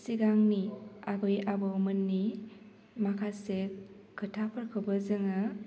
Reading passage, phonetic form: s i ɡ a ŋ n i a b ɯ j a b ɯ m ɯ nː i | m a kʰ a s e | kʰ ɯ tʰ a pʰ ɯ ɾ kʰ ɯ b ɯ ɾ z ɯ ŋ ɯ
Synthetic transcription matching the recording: s i ɡ a ŋ n i a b ɯ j a b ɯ m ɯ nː i | m a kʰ a s e | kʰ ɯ tʰ a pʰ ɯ ɾ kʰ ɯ b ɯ z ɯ ŋ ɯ